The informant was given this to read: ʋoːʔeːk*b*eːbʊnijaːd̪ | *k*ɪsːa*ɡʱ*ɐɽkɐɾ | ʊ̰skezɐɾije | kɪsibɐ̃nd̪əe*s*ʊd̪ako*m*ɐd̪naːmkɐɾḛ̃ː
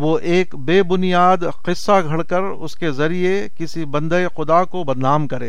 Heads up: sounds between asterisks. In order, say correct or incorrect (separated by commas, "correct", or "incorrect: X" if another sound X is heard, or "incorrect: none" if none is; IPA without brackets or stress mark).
correct, incorrect: q, correct, incorrect: x, incorrect: b